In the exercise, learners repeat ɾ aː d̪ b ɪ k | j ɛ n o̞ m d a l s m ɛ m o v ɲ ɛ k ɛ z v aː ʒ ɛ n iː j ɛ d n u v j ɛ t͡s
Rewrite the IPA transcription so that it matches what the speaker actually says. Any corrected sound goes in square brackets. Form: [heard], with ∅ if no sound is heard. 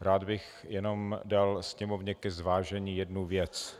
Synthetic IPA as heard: ɾ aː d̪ b ɪ [x] | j ɛ n o̞ m d a l s [ɲ] ɛ m o v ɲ ɛ k ɛ z v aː ʒ ɛ [ɲ] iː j ɛ d n u v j ɛ t͡s